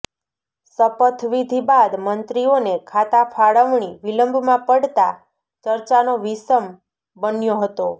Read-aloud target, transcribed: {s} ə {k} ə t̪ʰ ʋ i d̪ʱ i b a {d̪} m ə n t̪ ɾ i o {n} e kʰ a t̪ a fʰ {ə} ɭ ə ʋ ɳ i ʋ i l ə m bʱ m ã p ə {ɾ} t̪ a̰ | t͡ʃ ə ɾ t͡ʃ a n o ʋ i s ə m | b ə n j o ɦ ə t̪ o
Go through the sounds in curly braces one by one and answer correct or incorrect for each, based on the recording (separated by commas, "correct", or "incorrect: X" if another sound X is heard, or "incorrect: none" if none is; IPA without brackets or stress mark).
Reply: correct, incorrect: p, correct, correct, incorrect: a, incorrect: ɽ